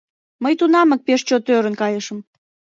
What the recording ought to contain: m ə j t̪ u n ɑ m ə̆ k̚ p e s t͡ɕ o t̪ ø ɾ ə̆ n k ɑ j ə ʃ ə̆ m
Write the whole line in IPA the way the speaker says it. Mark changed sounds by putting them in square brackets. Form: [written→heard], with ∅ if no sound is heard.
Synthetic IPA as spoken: m ə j t̪ u n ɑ m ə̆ k̚ p e [s→ʃ] t͡ɕ o t̪ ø ɾ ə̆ n k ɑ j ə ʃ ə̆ m